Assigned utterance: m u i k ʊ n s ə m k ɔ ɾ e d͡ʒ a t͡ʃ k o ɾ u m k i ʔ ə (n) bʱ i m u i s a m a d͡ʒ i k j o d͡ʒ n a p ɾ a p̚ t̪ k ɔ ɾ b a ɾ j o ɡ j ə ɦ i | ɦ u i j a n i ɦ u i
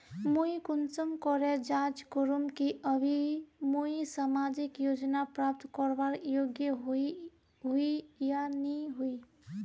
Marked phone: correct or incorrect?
incorrect: none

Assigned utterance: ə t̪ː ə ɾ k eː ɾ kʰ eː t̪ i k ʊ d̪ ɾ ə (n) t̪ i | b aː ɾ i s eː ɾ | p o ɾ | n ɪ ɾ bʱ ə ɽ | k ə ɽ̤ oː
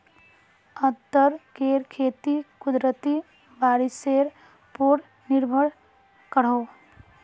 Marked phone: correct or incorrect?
incorrect: none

